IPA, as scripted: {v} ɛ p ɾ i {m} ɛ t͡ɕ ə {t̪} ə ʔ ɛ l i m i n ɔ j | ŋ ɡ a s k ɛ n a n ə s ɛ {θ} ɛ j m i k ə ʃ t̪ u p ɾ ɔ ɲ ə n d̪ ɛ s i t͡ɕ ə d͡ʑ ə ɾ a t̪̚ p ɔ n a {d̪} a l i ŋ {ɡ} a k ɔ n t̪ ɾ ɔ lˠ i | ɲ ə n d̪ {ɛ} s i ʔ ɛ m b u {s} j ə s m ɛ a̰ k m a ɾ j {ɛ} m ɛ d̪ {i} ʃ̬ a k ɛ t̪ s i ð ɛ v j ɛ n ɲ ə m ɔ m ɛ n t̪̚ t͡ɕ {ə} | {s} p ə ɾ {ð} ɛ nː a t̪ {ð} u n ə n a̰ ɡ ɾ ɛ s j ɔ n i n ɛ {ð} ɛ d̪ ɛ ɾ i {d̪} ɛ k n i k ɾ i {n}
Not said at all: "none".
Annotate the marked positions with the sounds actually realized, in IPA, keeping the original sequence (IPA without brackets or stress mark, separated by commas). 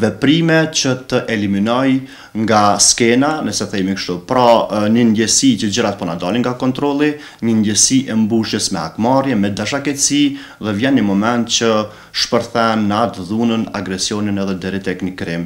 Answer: v, m, t̪, θ, d̪, ɡ, ɛ, ʃ, ɛ, a, ə, ʃ, θ, ð, ð, t̪, m